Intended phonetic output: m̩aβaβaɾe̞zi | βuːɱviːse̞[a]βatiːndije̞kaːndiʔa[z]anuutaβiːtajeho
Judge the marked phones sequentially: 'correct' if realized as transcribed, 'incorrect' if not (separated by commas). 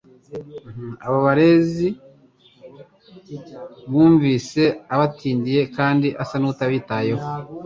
correct, incorrect